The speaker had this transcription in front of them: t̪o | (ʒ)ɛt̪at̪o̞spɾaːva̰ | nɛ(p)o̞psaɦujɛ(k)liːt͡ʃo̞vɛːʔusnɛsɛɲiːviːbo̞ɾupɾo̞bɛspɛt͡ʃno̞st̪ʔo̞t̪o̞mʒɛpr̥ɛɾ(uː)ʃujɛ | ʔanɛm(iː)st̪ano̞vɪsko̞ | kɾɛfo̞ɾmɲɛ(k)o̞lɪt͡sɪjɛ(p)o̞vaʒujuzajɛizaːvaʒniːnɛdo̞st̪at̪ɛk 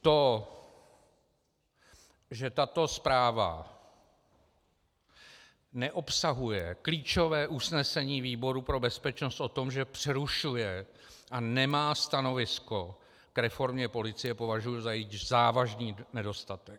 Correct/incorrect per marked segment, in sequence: correct, incorrect: ʔ, correct, incorrect: u, incorrect: aː, incorrect: p, correct

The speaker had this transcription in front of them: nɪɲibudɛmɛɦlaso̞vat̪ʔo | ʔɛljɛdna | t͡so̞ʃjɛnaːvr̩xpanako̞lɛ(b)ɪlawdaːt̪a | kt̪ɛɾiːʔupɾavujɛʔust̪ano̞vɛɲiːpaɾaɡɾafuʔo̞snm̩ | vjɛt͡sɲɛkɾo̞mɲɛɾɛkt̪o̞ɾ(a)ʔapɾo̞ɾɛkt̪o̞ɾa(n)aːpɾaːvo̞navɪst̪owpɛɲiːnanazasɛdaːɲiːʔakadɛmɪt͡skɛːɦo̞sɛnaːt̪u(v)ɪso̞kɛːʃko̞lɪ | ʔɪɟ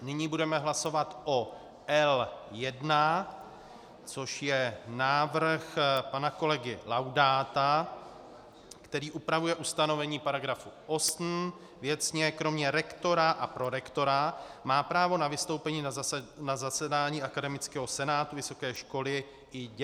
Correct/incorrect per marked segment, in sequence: incorrect: ɡ, correct, incorrect: m, correct

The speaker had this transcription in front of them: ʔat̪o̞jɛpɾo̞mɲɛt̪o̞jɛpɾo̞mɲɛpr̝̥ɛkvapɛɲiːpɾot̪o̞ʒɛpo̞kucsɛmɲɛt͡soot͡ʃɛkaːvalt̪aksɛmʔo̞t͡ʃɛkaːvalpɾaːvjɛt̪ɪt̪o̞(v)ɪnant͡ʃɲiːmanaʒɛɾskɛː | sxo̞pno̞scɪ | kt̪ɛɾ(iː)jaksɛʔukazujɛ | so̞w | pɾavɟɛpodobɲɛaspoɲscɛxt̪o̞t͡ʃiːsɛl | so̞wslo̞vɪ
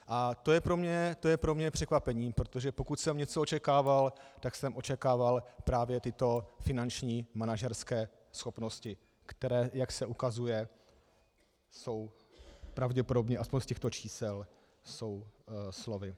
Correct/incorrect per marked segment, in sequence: incorrect: f, incorrect: ɛː

